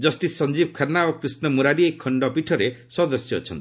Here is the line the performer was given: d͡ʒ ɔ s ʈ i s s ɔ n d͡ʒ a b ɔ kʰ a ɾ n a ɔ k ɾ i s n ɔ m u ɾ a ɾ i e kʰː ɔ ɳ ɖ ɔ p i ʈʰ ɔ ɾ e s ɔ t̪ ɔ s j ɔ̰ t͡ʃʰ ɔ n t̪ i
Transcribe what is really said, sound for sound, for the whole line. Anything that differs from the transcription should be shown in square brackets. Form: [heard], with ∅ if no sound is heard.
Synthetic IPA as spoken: d͡ʒ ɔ s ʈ i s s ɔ n d͡ʒ [i] b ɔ kʰ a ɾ n a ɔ k ɾ i s n ɔ m u ɾ a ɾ i e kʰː ɔ ɳ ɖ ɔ p i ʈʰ ɔ ɾ e s ɔ [d̪] ɔ s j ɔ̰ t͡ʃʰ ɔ n t̪ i